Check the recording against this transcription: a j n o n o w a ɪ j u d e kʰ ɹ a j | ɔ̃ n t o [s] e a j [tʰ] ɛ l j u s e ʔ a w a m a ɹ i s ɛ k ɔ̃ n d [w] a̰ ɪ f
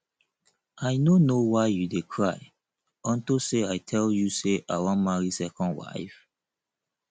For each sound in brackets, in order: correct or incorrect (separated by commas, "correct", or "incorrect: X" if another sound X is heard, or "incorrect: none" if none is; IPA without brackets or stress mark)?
correct, correct, correct